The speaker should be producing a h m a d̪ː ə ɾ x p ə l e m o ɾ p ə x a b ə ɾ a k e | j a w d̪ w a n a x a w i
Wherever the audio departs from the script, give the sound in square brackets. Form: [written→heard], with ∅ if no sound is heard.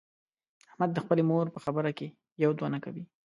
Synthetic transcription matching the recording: a h m a d̪ː ə [ɾ→∅] x p ə l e m o ɾ p ə x a b ə ɾ a k e | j a w d̪ w a n a [x→k] a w i